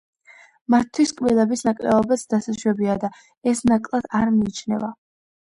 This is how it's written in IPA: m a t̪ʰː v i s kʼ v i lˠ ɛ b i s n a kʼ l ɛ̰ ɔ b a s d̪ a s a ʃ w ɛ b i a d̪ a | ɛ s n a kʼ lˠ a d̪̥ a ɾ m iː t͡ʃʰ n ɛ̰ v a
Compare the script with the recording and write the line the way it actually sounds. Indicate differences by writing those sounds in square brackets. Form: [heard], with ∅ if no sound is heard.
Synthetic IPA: m a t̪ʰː [w] i s kʼ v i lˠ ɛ b i s n a kʼ l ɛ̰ ɔ b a s d̪ a s a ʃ w ɛ b i a d̪ a | ɛ s n a kʼ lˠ a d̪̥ a ɾ m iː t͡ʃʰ n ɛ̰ v a